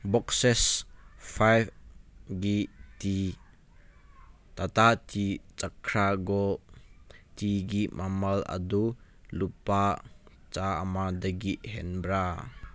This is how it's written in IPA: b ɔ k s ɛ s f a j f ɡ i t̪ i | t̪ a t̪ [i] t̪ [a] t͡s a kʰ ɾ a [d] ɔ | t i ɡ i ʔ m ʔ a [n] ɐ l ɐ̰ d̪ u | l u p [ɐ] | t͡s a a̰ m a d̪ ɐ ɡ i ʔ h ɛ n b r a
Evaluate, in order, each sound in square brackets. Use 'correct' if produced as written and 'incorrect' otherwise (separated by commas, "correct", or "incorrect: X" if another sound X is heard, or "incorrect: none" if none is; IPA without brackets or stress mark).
incorrect: a, incorrect: i, incorrect: ɡ, incorrect: m, incorrect: a